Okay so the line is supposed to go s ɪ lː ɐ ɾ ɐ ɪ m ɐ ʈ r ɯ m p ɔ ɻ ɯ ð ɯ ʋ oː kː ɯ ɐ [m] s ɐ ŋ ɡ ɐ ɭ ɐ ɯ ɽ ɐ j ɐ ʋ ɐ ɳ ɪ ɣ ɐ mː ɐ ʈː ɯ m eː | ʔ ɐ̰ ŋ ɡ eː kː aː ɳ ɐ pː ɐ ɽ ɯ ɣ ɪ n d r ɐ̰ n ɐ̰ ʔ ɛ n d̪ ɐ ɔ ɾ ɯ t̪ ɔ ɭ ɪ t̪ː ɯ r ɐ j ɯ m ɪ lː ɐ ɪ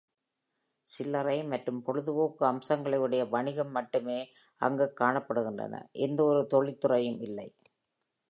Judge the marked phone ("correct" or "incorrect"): correct